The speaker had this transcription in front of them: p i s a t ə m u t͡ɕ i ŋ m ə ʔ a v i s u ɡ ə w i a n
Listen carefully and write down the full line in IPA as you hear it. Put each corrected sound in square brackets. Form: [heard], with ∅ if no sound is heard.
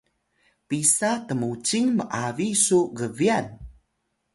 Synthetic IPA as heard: p i s a t ə m u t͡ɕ i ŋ m ə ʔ a v i s u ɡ ə [v] i a n